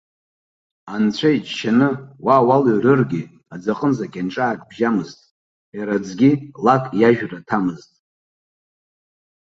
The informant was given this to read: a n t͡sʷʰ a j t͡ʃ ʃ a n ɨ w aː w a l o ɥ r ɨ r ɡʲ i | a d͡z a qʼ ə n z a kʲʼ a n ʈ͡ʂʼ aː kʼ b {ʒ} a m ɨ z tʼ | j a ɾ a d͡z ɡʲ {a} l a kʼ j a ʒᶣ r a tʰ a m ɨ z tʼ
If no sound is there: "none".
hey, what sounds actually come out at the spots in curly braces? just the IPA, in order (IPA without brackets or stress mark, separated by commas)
ʒ, i